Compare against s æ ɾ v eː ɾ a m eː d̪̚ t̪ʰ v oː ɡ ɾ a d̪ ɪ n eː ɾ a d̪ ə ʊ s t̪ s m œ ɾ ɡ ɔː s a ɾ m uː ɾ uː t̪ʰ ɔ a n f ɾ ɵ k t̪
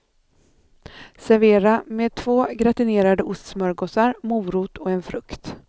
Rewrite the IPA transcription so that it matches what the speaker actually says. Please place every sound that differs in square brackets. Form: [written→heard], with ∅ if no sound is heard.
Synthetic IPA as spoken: s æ ɾ v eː ɾ a m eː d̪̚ t̪ʰ v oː ɡ ɾ a [d̪→t̪] ɪ n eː ɾ a d̪ ə ʊ s t̪ s m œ ɾ ɡ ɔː s a ɾ m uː ɾ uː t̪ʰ ɔ [a→ɛ] n f ɾ ɵ k t̪

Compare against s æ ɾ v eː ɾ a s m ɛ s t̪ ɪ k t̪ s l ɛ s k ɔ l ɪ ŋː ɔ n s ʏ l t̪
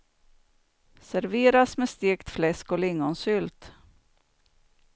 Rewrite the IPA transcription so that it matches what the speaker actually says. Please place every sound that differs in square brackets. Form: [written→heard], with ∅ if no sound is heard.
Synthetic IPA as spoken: s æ ɾ v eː ɾ a s m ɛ s t̪ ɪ k t̪ [s→f] l ɛ s k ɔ l ɪ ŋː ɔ n s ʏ l t̪

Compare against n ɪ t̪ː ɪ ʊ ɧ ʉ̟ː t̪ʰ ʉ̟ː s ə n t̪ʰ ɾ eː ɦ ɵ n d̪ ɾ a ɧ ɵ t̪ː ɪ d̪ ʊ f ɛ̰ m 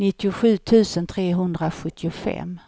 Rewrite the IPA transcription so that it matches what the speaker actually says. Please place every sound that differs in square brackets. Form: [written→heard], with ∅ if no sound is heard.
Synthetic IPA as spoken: n ɪ t̪ː ɪ ʊ ɧ ʉ̟ː t̪ʰ ʉ̟ː s ə n t̪ʰ ɾ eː ɦ ɵ n d̪ ɾ a ɧ ɵ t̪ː ɪ [d̪→∅] ʊ f ɛ̰ m

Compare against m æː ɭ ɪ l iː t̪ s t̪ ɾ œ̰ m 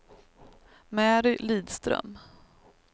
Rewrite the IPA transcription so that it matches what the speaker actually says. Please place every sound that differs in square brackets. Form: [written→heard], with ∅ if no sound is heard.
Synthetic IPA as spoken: m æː [ɭ→ɾ] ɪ l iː [t̪→d̪] s t̪ ɾ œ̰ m

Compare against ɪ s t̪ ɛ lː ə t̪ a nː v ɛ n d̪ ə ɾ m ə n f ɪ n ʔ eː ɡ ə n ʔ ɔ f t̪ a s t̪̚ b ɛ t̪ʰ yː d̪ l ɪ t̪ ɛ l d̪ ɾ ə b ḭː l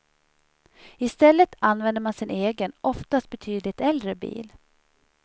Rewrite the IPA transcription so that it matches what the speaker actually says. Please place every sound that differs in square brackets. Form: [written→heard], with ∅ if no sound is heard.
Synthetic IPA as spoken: ɪ s t̪ ɛ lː ə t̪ a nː v ɛ n d̪ ə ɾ m [ə→a] n [f→s] ɪ n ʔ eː ɡ ə n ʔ ɔ f t̪ a s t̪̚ b ɛ t̪ʰ yː d̪ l ɪ t̪ ɛ l d̪ ɾ ə b ḭː l

